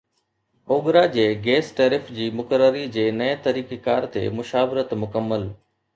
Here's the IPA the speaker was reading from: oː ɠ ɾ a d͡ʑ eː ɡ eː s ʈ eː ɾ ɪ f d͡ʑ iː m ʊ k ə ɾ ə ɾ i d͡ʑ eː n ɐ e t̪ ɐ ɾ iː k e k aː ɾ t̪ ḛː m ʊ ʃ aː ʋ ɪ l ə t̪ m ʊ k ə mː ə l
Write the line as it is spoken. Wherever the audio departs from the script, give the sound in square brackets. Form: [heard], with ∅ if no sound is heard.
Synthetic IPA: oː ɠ ɾ a d͡ʑ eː ɡ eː s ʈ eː ɾ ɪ f d͡ʑ iː m ʊ k ə ɾ ə ɾ i d͡ʑ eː n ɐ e t̪ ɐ ɾ iː k e k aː ɾ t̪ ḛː m ʊ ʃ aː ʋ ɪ [ɾ] ə t̪ m ʊ k ə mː ə l